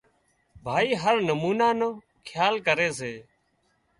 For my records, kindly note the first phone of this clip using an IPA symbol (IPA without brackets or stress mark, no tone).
bʱ